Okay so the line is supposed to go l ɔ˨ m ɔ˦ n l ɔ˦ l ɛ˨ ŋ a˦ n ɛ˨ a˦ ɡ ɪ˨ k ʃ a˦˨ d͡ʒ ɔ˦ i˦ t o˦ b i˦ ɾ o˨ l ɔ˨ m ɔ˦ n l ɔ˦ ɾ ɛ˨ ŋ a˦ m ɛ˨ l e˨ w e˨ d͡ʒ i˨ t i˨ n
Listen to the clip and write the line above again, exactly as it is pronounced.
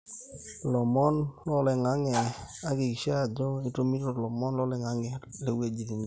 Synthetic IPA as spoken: l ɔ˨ m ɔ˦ n l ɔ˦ l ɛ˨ ŋ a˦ ŋ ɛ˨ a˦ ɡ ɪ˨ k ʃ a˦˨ d͡ʒ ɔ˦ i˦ t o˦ m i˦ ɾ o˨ l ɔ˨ m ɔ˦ n l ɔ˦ l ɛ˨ ŋ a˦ ŋ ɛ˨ l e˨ w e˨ d͡ʒ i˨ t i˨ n